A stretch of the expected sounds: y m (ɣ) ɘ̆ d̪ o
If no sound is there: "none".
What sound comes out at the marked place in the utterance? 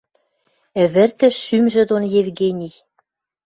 ʒ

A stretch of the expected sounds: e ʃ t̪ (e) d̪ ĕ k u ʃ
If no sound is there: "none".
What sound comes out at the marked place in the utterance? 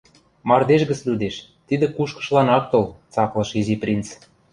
i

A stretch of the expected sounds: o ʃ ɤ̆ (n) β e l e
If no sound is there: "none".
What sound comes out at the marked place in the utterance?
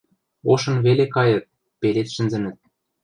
n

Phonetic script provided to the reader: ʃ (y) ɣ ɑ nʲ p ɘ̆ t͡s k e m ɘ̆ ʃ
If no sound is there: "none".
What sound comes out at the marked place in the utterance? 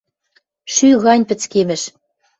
y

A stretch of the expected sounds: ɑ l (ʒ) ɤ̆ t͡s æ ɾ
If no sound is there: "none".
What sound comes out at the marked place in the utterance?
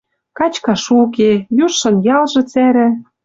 ʒ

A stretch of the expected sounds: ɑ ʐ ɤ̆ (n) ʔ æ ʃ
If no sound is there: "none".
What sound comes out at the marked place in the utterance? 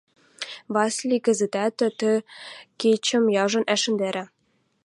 n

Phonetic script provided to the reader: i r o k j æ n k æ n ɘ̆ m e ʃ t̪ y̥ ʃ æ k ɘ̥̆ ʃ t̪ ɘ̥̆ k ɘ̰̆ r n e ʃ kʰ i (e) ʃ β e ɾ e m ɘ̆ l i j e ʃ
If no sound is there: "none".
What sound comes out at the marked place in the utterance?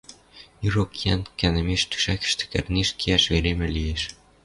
æ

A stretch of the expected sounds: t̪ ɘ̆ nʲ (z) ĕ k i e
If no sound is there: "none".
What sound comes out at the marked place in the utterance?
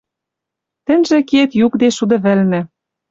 ʒ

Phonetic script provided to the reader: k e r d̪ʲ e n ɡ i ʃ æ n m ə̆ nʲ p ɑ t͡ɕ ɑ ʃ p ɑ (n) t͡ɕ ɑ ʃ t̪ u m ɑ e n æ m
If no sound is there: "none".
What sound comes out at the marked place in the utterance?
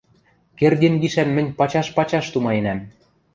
none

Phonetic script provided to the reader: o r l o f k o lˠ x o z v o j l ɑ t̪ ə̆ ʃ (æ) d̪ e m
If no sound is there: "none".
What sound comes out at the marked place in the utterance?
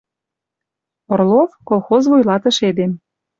e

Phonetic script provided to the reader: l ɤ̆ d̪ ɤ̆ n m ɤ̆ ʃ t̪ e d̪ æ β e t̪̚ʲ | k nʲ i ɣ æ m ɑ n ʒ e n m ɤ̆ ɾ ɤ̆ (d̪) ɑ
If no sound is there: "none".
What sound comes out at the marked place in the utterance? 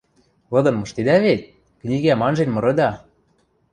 d̪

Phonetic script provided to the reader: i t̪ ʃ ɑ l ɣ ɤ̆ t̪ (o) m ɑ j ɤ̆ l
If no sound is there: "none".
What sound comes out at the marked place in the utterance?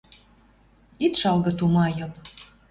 u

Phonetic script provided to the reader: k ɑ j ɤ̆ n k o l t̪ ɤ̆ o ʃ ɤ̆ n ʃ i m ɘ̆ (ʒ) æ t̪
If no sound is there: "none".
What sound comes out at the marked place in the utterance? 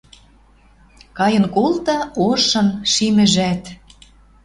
ʒ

